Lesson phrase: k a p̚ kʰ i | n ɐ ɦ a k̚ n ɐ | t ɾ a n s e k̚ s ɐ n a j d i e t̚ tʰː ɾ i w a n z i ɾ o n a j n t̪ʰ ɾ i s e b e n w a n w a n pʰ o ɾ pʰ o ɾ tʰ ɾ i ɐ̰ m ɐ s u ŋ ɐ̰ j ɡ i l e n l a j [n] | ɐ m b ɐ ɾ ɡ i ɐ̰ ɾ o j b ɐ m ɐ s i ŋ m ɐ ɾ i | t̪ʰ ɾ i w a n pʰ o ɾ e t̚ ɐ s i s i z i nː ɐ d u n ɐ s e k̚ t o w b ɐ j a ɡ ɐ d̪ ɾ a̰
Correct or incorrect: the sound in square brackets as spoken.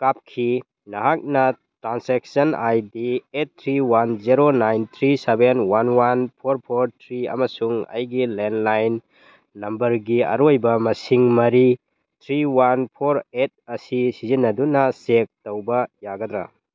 incorrect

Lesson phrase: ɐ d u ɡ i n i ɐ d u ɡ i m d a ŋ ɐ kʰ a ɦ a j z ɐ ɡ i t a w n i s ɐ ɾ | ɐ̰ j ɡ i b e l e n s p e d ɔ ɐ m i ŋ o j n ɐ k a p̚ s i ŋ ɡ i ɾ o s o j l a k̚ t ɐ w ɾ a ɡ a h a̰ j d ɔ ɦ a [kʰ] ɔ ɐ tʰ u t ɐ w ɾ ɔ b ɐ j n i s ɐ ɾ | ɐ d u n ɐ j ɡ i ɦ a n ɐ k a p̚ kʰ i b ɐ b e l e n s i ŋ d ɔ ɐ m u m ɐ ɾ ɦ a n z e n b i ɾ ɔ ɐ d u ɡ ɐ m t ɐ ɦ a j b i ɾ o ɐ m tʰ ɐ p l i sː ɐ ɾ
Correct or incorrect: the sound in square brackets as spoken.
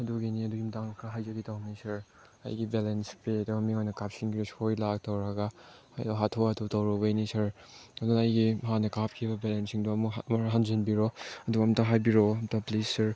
incorrect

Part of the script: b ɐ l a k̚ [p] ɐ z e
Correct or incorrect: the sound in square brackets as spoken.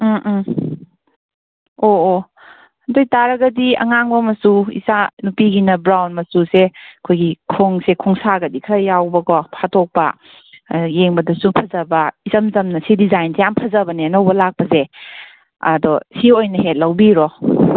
correct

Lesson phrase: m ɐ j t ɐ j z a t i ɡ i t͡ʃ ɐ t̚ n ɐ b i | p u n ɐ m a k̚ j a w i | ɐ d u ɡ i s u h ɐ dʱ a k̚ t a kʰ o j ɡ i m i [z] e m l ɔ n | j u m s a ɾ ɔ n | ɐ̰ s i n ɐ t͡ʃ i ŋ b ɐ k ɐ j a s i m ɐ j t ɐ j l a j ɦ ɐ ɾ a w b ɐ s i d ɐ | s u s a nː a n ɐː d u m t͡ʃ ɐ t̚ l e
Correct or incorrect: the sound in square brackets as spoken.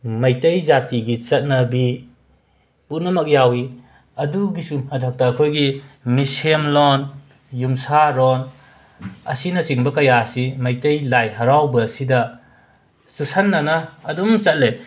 incorrect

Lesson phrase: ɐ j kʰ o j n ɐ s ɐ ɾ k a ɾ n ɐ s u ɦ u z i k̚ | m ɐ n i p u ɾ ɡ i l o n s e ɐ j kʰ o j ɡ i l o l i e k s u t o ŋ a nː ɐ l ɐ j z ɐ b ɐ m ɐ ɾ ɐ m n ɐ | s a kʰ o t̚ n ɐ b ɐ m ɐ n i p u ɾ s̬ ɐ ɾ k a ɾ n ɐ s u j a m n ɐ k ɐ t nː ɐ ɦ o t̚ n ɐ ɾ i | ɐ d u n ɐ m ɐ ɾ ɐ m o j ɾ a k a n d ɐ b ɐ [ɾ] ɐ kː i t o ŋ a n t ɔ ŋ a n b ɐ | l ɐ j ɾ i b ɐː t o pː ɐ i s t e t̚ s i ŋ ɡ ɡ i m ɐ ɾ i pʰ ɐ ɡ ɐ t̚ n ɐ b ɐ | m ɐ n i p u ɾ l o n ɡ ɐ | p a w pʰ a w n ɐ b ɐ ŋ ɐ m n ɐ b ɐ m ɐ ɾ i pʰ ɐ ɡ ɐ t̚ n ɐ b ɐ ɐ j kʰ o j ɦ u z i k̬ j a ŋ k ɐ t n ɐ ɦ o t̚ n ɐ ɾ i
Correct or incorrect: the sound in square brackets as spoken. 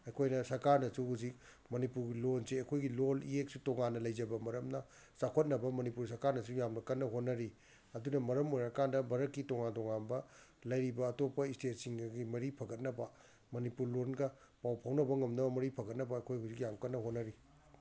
correct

